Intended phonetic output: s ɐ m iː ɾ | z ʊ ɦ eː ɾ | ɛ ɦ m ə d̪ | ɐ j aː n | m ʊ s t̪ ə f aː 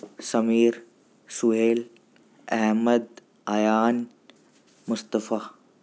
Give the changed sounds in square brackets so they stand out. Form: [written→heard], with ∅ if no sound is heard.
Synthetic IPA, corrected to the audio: s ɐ m iː ɾ | [z→s] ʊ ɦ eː [ɾ→l] | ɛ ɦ m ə d̪ | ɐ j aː n | m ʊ s t̪ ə f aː